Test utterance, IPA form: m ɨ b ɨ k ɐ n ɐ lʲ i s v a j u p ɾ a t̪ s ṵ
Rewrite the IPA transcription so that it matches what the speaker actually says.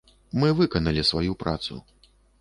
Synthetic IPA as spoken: m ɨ v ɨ k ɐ n ɐ lʲ i s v a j u p ɾ a t̪ s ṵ